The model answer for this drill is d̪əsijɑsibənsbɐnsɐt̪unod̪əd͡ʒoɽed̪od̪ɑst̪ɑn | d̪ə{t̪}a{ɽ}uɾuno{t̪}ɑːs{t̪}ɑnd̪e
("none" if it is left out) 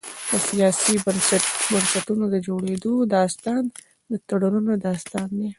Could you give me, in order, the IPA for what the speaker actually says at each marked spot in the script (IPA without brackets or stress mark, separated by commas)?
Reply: t̪, ɽ, d̪, t̪